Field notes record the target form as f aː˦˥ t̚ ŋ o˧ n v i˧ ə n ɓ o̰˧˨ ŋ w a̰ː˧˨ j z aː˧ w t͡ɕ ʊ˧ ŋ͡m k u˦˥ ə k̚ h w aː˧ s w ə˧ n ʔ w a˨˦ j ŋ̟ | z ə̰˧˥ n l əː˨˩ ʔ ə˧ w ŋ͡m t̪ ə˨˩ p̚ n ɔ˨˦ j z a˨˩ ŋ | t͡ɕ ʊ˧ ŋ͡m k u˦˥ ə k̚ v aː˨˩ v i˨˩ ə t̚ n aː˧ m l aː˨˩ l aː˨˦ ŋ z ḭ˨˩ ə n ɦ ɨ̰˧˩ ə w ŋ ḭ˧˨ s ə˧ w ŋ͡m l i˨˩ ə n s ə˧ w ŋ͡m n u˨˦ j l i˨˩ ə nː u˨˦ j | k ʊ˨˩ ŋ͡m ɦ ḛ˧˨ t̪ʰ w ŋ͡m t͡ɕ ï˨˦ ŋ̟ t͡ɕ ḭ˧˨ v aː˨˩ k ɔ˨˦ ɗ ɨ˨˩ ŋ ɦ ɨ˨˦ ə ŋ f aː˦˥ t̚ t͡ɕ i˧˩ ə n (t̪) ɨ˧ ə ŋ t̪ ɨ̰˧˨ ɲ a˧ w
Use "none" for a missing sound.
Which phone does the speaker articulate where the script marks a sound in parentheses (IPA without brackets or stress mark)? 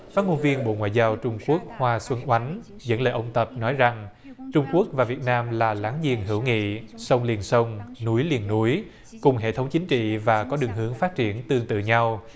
t̪